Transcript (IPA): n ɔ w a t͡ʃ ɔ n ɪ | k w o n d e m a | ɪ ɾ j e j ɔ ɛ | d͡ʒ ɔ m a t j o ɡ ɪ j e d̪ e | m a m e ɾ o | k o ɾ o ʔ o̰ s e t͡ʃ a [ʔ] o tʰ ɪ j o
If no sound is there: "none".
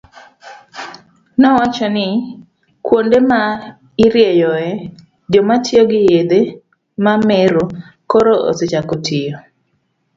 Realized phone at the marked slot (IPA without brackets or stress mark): k